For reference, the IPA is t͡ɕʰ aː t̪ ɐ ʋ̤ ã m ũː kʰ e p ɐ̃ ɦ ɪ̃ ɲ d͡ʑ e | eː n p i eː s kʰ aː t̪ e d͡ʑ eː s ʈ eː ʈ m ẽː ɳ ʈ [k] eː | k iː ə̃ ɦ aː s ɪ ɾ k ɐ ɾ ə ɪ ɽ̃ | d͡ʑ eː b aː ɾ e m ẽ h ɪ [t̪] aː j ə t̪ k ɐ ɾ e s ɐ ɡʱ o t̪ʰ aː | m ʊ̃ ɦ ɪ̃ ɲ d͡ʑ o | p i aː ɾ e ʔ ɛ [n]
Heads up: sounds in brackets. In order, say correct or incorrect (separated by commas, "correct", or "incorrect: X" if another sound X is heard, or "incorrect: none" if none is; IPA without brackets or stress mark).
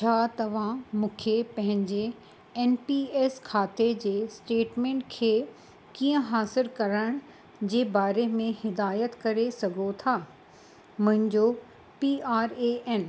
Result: incorrect: kʰ, incorrect: d̪, correct